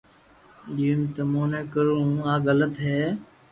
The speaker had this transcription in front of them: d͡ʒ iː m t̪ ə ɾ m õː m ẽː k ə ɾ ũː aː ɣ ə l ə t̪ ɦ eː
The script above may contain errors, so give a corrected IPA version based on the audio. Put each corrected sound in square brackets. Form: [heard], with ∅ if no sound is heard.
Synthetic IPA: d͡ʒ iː m t̪ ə [∅] m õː [n] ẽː k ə ɾ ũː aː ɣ ə l ə t̪ ɦ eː

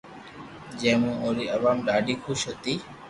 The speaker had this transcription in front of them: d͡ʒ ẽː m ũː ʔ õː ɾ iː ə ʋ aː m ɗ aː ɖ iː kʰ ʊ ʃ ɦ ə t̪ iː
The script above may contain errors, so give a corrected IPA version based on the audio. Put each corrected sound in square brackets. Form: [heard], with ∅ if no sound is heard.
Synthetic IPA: d͡ʒ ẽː m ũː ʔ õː ɾ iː ə ʋ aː m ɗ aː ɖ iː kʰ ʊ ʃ ɦ ə t̪ iː

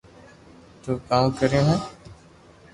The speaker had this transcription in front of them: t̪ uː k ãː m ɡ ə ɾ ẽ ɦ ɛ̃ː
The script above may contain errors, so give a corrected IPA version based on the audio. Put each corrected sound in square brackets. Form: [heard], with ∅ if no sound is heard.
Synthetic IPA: t̪ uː k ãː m [k] ə ɾ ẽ ɦ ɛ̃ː

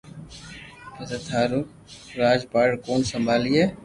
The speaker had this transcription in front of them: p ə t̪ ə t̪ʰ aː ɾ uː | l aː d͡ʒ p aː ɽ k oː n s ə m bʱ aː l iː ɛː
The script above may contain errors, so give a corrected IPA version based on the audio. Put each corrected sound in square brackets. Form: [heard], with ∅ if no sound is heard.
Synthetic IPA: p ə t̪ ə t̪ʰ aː ɾ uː | [ɾ] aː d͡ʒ p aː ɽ k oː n s ə m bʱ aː l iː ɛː

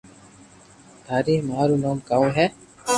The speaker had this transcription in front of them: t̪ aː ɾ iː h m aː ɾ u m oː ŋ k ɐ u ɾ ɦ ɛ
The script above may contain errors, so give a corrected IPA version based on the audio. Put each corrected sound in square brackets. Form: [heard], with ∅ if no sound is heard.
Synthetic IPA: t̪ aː ɾ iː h m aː ɾ u [n] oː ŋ k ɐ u [∅] ɦ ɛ

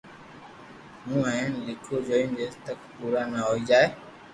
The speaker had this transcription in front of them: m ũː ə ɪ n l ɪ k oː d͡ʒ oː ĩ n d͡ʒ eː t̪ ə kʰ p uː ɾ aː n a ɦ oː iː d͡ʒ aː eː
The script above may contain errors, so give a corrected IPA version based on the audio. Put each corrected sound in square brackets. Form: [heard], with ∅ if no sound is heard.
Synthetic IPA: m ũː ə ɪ n l ɪ [kʰ] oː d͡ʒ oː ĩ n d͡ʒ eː t̪ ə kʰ p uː ɾ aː n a ɦ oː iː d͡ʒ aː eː

